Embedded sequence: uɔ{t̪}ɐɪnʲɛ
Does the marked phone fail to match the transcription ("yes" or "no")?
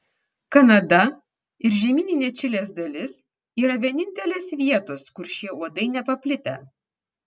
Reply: yes